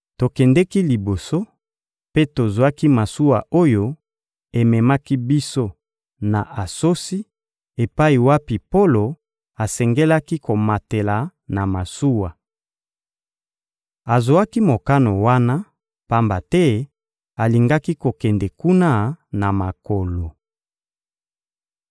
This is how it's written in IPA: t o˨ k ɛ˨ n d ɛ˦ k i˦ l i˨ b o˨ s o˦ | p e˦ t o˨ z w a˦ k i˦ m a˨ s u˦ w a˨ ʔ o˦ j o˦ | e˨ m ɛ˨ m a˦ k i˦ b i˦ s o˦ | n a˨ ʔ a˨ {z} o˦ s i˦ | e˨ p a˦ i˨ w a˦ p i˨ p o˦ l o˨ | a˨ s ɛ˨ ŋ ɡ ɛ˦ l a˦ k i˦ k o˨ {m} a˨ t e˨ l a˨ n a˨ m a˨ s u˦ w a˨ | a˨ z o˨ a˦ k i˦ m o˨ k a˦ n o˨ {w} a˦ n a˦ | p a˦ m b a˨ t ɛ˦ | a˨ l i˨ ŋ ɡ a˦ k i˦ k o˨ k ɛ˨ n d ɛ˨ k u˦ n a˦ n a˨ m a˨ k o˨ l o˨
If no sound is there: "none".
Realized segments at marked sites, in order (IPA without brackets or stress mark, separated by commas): s, m, w